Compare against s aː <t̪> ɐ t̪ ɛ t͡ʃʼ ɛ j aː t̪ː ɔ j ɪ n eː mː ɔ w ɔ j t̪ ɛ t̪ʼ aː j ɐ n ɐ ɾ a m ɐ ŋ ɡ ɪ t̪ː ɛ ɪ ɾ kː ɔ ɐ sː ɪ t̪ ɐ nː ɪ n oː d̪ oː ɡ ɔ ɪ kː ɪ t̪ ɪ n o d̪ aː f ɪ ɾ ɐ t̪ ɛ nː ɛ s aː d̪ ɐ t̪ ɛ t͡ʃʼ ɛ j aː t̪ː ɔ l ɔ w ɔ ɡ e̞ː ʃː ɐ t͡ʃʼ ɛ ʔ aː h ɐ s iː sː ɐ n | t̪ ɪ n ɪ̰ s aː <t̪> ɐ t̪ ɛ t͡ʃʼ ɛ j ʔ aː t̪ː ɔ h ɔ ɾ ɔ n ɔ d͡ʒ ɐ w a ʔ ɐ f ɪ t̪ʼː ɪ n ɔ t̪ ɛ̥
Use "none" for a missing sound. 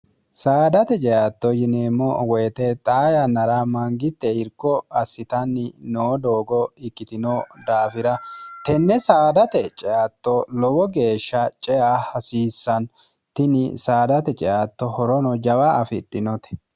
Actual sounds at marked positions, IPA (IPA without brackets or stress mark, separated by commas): d̪, d̪